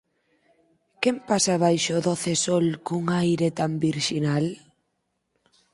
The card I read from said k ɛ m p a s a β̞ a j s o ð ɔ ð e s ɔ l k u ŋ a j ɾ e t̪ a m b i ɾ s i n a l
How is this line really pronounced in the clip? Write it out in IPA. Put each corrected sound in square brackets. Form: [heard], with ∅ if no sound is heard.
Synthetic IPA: k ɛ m p a s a β̞ a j [ʃ] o ð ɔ [θ] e s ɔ l k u ŋ a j ɾ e t̪ a m b i ɾ [ʃ] i n a l

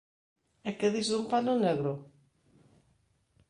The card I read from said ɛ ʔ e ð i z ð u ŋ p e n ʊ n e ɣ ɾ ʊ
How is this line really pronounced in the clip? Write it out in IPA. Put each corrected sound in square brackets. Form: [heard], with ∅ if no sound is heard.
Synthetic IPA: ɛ [k] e ð i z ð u [m] p [a] n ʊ n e ɣ ɾ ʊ

